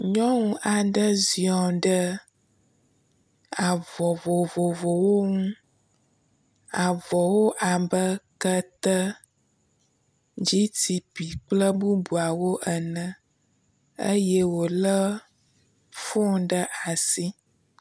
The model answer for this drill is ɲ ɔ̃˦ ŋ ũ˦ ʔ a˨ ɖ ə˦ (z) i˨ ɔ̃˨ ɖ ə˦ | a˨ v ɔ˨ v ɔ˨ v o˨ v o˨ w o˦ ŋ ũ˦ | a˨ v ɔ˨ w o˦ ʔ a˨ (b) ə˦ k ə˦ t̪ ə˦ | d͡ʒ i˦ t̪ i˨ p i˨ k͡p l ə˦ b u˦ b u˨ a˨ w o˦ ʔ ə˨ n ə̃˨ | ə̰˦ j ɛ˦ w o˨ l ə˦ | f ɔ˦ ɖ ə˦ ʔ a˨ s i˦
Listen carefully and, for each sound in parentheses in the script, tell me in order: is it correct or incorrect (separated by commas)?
correct, correct